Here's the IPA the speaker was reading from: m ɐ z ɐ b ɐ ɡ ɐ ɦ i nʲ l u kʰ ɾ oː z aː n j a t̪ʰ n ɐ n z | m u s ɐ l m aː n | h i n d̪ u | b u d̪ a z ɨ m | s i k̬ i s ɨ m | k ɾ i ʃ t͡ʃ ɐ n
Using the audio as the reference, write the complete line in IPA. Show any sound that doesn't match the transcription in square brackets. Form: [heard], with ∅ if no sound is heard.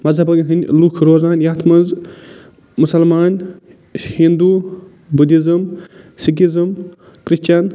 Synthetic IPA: m ɐ z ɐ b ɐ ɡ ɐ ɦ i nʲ l u kʰ ɾ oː z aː n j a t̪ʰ [m] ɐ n z | m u s ɐ l m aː n | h i n d̪ u | b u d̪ [i] z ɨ m | s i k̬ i [z] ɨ m | k ɾ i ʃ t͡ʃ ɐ n